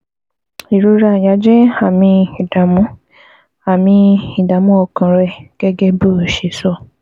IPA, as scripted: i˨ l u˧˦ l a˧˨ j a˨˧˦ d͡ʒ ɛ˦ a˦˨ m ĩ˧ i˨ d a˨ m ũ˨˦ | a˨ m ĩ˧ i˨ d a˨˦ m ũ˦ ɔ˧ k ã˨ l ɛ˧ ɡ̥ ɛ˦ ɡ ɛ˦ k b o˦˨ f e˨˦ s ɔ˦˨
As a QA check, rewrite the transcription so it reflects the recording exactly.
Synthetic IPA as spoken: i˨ ɾ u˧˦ ɾ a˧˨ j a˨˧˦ d͡ʒ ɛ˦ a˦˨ m ĩ˧ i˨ d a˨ m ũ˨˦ | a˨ m ĩ˧ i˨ d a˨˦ m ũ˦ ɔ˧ k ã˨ ɾ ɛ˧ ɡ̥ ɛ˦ ɡ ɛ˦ b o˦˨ ʃ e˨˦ s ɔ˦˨